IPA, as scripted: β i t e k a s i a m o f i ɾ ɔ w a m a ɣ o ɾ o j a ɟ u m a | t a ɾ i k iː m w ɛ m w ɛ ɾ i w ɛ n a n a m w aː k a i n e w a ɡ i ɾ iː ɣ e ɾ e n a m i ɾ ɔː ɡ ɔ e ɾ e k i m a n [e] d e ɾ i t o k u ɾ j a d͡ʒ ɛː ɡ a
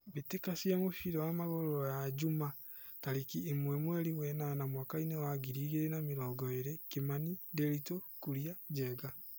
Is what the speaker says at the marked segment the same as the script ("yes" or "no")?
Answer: no